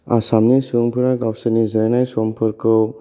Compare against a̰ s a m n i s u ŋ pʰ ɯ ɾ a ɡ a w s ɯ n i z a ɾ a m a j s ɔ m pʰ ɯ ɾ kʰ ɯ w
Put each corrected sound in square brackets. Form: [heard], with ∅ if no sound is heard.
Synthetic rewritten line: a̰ s a m n i s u ŋ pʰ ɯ ɾ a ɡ a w s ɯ n i z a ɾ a [n] a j s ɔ m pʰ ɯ ɾ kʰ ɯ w